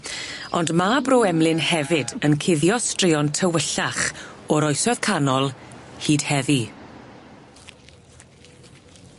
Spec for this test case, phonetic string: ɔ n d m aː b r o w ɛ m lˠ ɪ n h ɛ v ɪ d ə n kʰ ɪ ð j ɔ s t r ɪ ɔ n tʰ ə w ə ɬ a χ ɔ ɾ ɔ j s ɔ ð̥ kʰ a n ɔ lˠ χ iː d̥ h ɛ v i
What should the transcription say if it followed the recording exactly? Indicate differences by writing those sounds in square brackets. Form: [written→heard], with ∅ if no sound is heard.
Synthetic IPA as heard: ɔ n d m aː b r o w ɛ m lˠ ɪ n h ɛ v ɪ d ə n kʰ ɪ ð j ɔ s t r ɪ ɔ n tʰ ə w ə ɬ a χ ɔ ɾ ɔ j s ɔ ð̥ kʰ a n ɔ lˠ [χ→h] iː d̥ h ɛ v i